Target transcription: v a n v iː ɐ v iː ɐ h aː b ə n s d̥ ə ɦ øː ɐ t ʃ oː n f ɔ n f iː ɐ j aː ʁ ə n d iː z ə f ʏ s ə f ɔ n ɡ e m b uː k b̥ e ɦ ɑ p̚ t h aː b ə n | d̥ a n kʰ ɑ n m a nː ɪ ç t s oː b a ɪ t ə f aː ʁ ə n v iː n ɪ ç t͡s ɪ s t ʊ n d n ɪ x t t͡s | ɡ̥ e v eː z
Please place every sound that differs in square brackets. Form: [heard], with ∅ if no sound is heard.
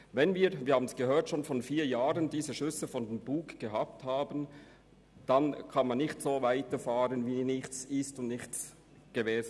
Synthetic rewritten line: v [ɛ] n v iː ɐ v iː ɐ h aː b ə n s [ɡ̥] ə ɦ øː ɐ t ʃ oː n f ɔ n f iː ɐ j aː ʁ ə n d iː z ə [ʃ] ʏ s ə f ɔ n [d] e m b uː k [ɡ̥] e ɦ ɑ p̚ t h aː b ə n | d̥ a n kʰ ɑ n m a nː ɪ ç t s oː [v] a ɪ t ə f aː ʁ ə n v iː n ɪ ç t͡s ɪ s t ʊ n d n ɪ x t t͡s | ɡ̥ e v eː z